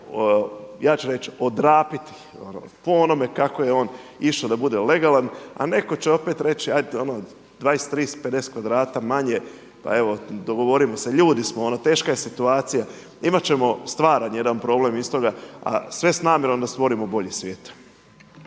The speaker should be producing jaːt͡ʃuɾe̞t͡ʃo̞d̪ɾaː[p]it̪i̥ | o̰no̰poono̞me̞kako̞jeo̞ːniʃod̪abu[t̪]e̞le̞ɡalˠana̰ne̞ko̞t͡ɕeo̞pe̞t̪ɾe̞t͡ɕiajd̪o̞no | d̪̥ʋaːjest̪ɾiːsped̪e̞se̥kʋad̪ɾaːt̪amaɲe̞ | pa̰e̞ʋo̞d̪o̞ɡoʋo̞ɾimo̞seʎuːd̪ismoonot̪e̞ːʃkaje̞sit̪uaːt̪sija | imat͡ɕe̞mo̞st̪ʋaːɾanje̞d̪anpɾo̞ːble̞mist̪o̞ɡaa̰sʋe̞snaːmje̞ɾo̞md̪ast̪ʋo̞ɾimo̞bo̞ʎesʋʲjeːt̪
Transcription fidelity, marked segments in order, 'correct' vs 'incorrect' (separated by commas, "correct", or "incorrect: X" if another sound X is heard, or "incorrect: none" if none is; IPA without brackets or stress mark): correct, incorrect: d̪